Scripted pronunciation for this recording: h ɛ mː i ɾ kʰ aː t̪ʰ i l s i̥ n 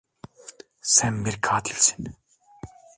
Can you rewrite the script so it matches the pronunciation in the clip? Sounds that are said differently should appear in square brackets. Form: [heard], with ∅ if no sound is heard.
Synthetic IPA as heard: [s] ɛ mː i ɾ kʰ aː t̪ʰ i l s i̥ n